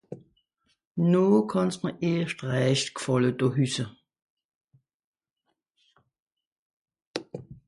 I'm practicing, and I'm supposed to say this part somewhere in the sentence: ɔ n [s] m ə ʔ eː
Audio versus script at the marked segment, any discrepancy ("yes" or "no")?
no